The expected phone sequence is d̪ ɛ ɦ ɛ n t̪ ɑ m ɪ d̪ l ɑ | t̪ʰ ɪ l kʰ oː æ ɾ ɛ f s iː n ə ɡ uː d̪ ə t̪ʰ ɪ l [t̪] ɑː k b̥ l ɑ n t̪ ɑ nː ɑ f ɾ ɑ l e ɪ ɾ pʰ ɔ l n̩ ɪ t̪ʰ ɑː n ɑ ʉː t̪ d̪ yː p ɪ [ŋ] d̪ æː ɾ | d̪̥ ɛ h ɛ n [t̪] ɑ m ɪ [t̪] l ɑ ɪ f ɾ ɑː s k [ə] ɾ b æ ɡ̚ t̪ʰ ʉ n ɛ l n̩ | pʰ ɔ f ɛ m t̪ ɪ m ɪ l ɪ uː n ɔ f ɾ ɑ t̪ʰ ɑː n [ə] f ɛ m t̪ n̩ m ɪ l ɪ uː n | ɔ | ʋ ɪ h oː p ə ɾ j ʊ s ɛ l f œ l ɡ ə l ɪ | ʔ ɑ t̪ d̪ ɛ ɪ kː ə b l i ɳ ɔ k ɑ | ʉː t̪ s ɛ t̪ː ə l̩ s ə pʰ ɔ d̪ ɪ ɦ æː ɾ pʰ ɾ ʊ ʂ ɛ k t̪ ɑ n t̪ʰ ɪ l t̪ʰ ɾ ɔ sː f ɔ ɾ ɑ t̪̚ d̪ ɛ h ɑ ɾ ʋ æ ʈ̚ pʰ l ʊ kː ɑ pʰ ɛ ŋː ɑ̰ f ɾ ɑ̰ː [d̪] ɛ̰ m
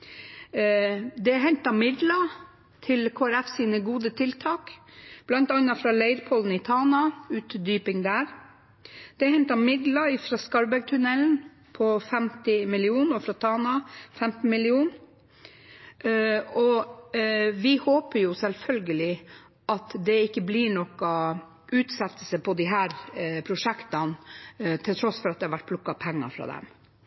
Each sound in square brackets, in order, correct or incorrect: incorrect, correct, correct, incorrect, incorrect, incorrect, correct

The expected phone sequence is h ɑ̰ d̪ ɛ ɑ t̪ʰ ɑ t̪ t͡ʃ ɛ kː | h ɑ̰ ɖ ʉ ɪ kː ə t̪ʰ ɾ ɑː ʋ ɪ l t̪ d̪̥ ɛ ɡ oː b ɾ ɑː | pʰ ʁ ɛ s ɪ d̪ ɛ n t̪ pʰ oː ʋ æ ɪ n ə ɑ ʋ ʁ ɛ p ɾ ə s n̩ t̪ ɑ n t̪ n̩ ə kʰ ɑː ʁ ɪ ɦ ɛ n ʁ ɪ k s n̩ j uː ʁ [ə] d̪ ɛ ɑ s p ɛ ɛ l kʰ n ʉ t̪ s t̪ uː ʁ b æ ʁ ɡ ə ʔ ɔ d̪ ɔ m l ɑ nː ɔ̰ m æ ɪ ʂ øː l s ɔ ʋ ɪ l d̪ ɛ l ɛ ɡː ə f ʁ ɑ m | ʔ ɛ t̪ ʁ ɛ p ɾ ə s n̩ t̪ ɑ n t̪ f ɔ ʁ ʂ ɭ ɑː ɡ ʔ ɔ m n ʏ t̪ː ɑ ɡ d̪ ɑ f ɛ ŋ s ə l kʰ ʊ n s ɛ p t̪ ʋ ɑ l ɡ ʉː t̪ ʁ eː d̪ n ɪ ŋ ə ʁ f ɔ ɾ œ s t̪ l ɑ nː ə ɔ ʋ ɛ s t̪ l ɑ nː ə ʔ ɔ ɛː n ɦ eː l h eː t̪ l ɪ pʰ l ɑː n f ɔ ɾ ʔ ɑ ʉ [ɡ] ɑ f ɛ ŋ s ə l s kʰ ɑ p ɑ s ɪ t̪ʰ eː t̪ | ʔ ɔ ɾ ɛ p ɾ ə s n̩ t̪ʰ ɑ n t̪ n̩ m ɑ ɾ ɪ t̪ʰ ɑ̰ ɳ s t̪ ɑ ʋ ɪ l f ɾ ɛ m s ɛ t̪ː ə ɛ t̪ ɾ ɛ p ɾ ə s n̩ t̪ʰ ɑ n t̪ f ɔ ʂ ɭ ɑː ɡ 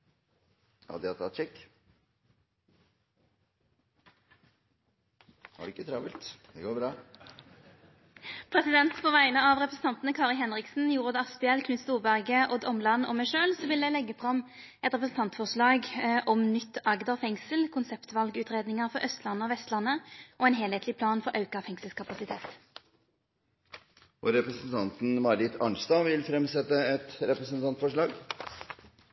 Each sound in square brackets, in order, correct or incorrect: correct, incorrect

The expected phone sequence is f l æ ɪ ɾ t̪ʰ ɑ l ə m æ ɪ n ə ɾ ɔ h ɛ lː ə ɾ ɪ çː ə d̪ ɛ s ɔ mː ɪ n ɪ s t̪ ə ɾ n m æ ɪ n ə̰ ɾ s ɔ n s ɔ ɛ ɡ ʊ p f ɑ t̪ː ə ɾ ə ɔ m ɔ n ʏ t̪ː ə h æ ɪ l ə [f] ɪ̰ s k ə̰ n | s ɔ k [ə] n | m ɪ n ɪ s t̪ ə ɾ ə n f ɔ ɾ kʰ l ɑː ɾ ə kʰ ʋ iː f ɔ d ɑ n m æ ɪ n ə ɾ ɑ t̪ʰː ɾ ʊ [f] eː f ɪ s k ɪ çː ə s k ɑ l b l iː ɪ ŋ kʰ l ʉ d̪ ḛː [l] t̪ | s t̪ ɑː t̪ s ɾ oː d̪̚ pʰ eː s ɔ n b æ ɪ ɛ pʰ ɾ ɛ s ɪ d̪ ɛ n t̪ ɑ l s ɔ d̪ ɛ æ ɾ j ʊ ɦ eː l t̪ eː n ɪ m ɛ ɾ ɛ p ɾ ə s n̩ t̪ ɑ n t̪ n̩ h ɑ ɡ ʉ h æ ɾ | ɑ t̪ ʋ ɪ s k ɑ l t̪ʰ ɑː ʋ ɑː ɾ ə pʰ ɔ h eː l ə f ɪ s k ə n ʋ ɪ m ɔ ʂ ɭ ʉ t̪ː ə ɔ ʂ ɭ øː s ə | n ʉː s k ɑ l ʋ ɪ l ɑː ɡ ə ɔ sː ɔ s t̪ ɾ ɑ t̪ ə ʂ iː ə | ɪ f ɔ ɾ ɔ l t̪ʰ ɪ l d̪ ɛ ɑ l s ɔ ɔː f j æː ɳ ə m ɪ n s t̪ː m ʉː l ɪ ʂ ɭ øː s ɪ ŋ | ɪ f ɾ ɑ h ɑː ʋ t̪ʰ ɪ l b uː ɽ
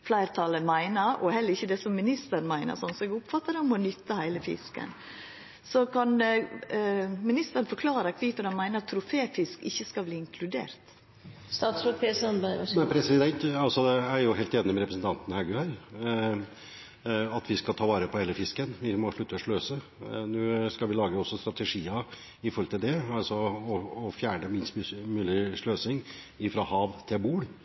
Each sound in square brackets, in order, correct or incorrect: correct, incorrect, correct, incorrect

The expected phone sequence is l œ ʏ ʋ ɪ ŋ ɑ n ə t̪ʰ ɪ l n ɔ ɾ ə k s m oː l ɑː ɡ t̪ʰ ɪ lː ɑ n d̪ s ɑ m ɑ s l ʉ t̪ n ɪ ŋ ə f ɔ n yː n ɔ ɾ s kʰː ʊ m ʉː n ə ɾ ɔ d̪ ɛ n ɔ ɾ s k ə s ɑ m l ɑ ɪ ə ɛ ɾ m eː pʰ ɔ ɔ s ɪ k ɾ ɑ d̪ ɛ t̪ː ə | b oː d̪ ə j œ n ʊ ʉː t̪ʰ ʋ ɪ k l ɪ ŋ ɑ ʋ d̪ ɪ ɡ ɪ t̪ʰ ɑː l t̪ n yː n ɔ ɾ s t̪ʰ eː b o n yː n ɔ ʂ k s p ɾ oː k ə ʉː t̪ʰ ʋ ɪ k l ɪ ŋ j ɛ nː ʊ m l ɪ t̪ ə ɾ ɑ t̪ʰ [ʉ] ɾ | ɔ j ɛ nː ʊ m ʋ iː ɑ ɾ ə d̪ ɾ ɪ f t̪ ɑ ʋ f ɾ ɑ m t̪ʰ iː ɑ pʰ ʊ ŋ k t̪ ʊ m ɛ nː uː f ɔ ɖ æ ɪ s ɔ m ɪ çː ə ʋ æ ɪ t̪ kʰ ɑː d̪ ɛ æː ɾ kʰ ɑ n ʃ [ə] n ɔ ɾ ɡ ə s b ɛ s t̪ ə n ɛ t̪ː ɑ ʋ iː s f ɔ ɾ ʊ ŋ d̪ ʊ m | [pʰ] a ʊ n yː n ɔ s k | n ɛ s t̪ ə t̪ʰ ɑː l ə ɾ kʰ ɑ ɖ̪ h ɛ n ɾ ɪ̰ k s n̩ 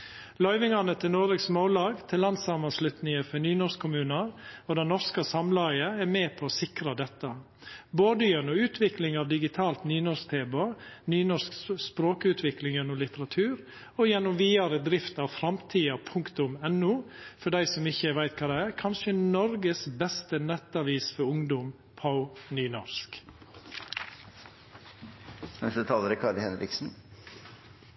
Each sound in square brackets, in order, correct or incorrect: incorrect, correct, correct

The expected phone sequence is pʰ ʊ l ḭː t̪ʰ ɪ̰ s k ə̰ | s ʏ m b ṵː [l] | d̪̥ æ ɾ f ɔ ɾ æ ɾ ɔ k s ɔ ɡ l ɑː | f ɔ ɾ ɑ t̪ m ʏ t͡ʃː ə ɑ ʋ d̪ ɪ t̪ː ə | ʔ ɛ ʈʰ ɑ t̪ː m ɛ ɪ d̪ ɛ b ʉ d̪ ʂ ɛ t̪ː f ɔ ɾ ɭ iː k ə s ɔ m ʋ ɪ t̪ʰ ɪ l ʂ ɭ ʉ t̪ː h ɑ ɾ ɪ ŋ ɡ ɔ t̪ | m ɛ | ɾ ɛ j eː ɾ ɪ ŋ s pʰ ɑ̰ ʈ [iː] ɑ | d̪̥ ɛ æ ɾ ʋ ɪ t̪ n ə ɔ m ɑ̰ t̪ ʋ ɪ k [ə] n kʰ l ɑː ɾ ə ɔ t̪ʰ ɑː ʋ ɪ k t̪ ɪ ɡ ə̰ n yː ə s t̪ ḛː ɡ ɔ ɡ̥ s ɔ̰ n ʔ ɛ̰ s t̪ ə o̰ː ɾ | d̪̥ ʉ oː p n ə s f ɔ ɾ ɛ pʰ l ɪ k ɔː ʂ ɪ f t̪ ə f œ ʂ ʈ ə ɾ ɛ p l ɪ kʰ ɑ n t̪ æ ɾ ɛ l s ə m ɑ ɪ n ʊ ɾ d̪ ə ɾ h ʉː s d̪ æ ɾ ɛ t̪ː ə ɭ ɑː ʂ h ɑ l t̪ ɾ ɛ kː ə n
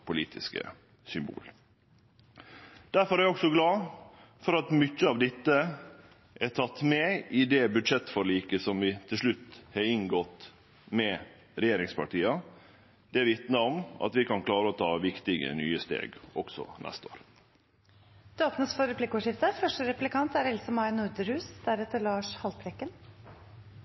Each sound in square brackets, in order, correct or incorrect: correct, correct, incorrect

